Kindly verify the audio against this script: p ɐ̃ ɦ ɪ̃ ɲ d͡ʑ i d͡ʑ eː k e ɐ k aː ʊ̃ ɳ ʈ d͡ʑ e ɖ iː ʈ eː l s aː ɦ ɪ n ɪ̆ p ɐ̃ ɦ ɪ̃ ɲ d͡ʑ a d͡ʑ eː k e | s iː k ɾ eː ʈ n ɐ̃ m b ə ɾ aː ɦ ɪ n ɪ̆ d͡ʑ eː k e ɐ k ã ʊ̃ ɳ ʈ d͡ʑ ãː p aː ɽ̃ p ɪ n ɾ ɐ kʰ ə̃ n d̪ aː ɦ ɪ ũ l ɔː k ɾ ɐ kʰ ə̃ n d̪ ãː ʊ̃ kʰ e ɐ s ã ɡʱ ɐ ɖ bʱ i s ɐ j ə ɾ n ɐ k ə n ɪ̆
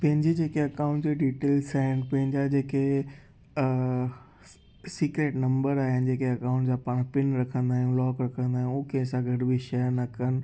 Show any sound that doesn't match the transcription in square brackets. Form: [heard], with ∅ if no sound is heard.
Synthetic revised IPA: p ɐ̃ ɦ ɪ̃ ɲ d͡ʑ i d͡ʑ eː k e ɐ k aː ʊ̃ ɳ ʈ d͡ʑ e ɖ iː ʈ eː l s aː ɦ ɪ n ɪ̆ p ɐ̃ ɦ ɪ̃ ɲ d͡ʑ a d͡ʑ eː k e | s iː k ɾ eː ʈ n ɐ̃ m b ə ɾ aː ɦ ɪ n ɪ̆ d͡ʑ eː k e ɐ k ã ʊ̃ ɳ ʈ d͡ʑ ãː p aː ɽ̃ p ɪ n ɾ ɐ kʰ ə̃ n d̪ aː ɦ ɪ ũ l ɔː k ɾ ɐ kʰ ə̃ n d̪ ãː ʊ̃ kʰ e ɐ s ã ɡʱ ɐ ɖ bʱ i [ʃ] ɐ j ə ɾ n ɐ k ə n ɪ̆